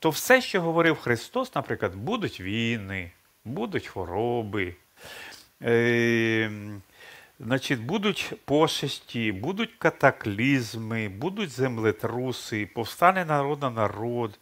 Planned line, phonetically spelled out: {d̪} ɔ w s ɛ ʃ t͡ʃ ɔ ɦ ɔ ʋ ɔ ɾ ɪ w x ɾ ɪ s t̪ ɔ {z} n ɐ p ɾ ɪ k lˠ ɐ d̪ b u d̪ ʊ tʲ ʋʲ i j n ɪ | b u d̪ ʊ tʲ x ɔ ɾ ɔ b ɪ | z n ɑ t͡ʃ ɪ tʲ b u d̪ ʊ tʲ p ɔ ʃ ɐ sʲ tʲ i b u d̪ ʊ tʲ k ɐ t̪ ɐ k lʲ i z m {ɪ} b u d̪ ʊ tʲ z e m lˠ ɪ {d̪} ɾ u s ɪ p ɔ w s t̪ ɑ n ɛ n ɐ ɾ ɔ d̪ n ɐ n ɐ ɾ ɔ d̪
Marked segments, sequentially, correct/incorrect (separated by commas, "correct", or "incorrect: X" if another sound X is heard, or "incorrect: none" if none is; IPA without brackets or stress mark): incorrect: t̪, incorrect: s, correct, incorrect: t̪